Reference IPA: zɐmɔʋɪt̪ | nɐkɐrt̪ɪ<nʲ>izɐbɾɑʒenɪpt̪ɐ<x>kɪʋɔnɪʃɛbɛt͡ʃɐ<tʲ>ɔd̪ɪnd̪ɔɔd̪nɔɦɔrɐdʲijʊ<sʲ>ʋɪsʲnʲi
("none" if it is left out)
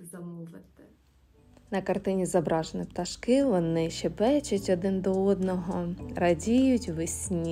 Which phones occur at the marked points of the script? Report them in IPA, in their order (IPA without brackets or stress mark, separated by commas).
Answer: nʲ, ʃ, tʲ, tʲ